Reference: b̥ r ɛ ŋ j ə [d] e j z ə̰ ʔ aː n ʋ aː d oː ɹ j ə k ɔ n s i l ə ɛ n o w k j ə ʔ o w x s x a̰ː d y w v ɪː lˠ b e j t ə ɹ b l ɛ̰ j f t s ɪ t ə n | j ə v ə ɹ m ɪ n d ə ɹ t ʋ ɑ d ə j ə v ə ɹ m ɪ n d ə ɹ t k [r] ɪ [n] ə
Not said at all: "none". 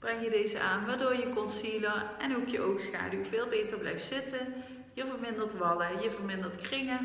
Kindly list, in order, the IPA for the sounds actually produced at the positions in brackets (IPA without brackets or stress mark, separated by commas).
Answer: d, r, ŋ